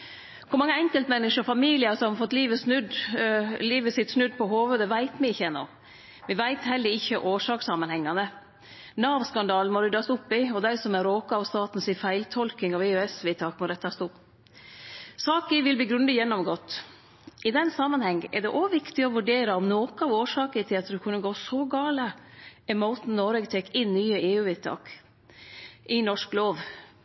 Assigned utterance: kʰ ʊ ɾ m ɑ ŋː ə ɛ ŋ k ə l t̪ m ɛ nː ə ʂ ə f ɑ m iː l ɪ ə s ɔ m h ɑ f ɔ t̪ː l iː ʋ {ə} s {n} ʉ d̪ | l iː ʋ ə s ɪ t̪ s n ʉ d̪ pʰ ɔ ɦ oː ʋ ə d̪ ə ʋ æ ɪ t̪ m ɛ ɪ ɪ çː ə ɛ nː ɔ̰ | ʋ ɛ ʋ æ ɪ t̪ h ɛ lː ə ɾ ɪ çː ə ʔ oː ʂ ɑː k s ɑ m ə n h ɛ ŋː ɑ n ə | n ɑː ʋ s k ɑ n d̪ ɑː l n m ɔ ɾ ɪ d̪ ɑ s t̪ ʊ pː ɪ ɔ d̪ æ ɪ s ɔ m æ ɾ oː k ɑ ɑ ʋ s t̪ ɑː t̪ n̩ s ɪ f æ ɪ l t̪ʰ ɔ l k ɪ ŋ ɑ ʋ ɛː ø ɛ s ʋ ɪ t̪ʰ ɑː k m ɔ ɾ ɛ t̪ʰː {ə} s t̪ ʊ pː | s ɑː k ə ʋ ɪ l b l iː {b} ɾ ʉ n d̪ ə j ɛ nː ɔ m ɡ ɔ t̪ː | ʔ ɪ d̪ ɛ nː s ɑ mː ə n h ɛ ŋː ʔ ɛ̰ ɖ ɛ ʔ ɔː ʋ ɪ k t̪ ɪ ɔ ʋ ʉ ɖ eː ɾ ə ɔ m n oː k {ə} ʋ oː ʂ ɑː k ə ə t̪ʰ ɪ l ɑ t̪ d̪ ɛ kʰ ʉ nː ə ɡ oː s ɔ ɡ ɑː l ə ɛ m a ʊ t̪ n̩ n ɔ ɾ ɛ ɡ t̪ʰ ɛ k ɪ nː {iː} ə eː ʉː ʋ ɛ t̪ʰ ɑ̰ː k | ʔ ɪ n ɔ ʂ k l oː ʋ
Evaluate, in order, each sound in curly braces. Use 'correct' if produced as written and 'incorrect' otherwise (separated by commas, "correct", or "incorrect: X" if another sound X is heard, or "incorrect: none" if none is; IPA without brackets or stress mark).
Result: correct, correct, incorrect: ɑ, incorrect: ɡ, incorrect: ɑ, incorrect: yː